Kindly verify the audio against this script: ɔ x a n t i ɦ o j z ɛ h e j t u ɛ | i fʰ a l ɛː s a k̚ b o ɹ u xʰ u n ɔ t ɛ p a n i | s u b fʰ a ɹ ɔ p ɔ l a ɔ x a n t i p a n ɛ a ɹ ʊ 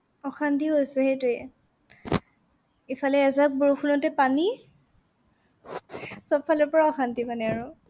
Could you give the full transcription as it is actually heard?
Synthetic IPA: ɔ x a n t i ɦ o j s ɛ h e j t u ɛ | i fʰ a l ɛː z a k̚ b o ɹ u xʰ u n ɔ t ɛ p a n i | s ɔ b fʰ a l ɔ p ɔ ɹ a ɔ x a n t i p a n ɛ a ɹ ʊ

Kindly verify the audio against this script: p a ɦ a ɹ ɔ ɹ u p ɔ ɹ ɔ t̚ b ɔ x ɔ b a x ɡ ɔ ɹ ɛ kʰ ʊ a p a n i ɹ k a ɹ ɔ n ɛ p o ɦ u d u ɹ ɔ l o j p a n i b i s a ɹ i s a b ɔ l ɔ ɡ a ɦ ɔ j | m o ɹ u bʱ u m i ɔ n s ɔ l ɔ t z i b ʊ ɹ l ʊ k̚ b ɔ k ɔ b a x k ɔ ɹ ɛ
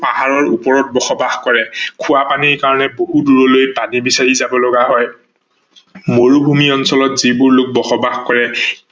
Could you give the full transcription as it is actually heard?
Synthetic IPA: p a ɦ a ɹ ɔ ɹ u p ɔ ɹ ɔ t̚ b ɔ x ɔ b a x k ɔ ɹ ɛ kʰ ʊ a p a n i ɹ k a ɹ ɔ n ɛ b o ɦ u d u ɹ ɔ l o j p a n i b i s a ɹ i z a b ɔ l ɔ ɡ a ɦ ɔ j | m o ɹ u bʱ u m i ɔ n s ɔ l ɔ t z i b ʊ ɹ l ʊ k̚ b ɔ x ɔ b a x k ɔ ɹ ɛ

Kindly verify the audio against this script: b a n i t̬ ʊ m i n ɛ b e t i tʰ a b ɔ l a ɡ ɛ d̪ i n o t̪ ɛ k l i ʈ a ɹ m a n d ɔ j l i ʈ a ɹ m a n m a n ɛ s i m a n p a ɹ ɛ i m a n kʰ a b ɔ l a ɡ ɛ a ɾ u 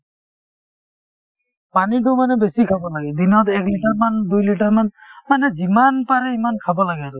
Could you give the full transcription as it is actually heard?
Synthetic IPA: p a n i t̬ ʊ m a n ɛ b e s i kʰ a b ɔ l a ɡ ɛ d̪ i n ɔ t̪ ɛ k l i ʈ a ɹ m a n d u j l i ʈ a ɹ m a n m a n ɛ z i m a n p a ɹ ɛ i m a n kʰ a b ɔ l a ɡ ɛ a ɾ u

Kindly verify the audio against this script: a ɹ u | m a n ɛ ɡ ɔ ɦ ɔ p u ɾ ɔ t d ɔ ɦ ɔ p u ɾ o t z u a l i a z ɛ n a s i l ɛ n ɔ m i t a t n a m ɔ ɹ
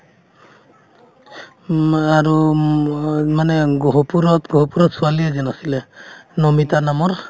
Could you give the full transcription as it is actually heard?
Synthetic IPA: a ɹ u | m a n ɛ ɡ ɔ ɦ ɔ p u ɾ ɔ t ɡ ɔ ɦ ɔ p u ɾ ɔ t s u a l i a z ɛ n a s i l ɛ n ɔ m i t a n a m ɔ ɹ

